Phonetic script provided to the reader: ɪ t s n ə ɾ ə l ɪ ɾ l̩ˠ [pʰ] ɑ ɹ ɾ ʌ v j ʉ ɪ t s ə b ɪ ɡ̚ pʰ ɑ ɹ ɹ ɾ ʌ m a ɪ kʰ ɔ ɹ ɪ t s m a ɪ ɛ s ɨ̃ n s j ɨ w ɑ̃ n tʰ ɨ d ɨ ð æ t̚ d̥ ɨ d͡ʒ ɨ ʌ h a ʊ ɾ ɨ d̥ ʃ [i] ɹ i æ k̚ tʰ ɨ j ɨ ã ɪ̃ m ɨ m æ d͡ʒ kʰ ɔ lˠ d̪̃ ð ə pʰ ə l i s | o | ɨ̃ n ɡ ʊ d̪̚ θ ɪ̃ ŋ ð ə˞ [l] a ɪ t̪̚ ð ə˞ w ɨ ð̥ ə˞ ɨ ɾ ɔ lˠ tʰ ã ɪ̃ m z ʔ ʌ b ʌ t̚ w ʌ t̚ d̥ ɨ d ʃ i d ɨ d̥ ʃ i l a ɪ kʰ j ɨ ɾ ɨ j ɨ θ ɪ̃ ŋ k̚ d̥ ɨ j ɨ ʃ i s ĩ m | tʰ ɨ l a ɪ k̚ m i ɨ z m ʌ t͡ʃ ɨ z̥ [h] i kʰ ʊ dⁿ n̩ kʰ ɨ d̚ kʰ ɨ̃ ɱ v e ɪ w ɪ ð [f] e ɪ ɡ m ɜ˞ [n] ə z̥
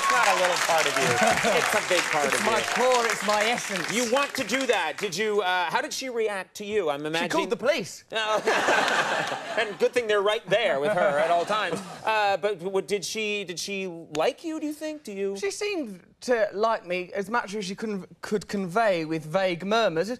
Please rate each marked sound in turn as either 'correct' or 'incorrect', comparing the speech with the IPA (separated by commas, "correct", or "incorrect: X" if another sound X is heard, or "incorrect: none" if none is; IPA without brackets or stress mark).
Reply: correct, correct, incorrect: ɹ, incorrect: ʃ, incorrect: v, incorrect: m